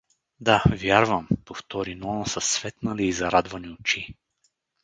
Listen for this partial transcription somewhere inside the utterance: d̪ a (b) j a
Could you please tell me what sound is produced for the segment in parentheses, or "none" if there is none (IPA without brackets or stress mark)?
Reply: v